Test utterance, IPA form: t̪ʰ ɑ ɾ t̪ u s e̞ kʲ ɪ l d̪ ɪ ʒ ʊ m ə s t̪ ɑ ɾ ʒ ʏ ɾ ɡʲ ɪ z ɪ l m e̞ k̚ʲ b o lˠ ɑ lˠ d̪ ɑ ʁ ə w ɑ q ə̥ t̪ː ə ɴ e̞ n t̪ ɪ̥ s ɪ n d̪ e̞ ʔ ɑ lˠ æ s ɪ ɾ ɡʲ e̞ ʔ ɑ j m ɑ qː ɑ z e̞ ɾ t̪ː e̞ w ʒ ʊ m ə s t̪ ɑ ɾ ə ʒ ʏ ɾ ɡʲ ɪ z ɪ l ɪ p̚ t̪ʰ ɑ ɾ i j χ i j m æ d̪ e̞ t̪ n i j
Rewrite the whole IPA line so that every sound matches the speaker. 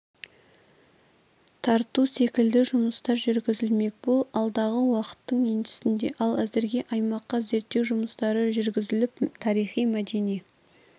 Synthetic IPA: t̪ʰ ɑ ɾ t̪ u s e̞ kʲ ɪ l d̪ ɪ ʒ ʊ m ə s t̪ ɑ ɾ ʒ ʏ ɾ ɡʲ ɪ z ɪ l m e̞ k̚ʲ b o lˠ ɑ lˠ d̪ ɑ ʁ ə w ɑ q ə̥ t̪ː ə ɴ e̞ n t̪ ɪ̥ s ɪ n d̪ e̞ ʔ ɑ lˠ æ z ɪ ɾ ɡʲ e̞ ʔ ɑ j m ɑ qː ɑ z e̞ ɾ t̪ː e̞ w ʒ ʊ m ə s t̪ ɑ ɾ ə ʒ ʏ ɾ ɡʲ ɪ z ɪ l ɪ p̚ t̪ʰ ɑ ɾ i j χ i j m æ d̪ e̞ n i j